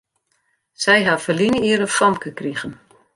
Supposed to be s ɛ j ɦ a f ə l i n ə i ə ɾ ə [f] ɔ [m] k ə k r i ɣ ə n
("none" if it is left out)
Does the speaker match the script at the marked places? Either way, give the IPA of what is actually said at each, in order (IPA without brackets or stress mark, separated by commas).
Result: f, m